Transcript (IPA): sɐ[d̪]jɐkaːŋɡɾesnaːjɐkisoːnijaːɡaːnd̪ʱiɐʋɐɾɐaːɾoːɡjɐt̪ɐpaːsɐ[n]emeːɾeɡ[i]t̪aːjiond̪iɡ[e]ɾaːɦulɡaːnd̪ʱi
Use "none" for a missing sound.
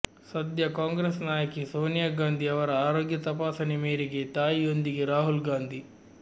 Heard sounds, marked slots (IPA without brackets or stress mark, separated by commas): d̪, n, e, e